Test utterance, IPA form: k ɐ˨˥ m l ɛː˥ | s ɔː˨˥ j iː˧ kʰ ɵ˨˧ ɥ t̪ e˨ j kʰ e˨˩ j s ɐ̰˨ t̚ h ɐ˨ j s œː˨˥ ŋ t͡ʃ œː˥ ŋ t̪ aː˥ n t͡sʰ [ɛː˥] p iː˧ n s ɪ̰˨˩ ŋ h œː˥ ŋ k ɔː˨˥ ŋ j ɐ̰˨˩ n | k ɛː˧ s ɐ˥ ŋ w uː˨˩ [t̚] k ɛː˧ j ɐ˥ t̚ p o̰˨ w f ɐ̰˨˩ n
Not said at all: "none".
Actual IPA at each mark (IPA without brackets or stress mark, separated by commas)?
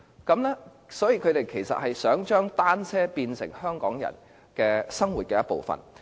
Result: ɛː˥, t̚